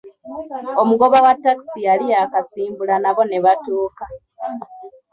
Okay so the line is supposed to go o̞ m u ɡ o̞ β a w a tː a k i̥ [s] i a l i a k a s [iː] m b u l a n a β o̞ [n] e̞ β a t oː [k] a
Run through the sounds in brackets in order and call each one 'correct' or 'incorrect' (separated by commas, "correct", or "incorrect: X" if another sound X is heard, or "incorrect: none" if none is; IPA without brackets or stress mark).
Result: correct, correct, correct, correct